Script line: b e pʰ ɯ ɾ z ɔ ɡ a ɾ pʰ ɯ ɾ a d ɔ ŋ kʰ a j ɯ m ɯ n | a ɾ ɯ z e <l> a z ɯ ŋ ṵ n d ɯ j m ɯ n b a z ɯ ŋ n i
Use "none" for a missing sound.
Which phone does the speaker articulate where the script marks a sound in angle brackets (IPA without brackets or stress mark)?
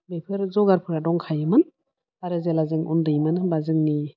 l